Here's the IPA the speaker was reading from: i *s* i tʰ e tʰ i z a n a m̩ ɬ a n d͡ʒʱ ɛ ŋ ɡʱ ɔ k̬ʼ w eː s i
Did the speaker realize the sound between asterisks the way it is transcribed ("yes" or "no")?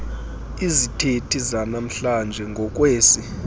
no